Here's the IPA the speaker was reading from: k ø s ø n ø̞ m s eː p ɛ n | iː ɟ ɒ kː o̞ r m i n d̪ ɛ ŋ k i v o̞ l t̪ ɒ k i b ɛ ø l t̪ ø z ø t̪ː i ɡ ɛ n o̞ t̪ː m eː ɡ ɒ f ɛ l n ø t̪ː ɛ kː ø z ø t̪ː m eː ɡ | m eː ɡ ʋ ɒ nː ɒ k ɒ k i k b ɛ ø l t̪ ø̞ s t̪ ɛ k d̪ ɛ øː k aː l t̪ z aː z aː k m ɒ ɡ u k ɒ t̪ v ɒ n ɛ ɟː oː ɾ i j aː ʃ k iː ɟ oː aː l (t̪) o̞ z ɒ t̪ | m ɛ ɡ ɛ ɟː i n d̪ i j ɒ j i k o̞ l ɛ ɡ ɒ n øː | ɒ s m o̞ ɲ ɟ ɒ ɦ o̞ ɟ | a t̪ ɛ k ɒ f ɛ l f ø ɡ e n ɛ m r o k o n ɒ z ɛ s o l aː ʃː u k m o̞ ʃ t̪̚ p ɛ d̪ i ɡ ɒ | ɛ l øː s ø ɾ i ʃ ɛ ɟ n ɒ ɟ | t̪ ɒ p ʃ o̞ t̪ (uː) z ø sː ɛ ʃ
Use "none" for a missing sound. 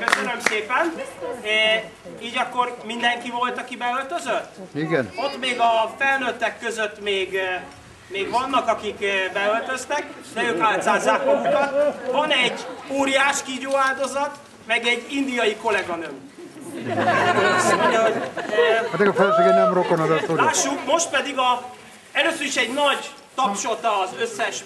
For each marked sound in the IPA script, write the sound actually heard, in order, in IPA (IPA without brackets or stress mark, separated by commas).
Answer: d̪, ɒː